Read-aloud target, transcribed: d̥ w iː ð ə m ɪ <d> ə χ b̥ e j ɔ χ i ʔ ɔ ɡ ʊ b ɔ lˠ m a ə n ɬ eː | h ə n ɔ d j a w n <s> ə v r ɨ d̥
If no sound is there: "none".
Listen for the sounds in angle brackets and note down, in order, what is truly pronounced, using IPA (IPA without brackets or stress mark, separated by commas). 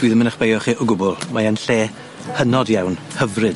n, h